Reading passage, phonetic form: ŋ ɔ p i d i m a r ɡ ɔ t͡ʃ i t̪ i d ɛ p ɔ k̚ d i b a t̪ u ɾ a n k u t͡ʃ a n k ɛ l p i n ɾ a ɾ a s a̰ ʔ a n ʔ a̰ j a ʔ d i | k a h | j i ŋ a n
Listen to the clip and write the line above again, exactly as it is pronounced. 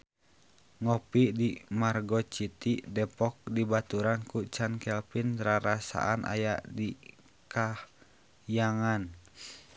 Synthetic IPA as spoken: ŋ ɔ p i d i m a r ɡ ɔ t͡ʃ i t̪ i d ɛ p ɔ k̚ d i b a t̪ u ɾ a n k u t͡ʃ a n k ɛ l p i n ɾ a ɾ a s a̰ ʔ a n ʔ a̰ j a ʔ d i | k a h | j a ŋ a n